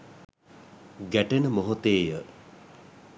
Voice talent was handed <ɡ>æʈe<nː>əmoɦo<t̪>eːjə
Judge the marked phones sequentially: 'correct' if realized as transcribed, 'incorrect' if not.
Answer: correct, incorrect, correct

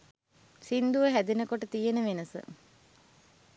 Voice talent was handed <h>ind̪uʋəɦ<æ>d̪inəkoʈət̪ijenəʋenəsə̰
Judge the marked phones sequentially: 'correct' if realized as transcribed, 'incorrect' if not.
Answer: incorrect, correct

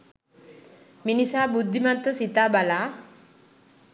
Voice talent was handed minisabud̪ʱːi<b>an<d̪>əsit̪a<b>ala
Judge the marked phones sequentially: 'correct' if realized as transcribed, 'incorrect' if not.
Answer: incorrect, incorrect, correct

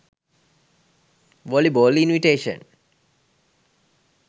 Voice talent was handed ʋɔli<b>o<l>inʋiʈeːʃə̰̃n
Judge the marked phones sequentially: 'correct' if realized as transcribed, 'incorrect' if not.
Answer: correct, correct

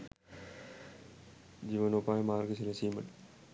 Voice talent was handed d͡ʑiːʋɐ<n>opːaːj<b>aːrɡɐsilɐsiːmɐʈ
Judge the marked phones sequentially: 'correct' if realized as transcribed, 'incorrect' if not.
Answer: correct, incorrect

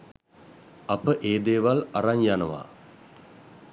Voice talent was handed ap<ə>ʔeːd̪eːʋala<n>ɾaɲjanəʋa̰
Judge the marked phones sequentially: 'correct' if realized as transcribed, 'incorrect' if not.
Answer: correct, incorrect

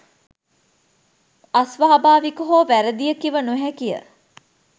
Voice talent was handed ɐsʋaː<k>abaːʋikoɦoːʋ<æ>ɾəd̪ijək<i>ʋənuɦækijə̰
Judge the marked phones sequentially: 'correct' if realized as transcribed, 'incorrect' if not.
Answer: incorrect, correct, correct

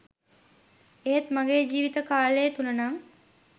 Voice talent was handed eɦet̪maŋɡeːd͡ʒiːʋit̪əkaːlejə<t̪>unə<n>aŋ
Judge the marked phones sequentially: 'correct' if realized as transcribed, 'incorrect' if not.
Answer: correct, correct

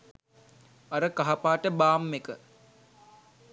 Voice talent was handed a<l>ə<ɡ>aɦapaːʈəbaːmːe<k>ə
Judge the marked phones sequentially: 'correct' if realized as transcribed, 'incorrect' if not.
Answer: incorrect, incorrect, correct

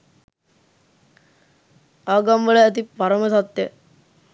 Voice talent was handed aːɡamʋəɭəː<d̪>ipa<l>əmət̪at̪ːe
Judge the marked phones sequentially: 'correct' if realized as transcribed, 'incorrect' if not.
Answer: incorrect, incorrect

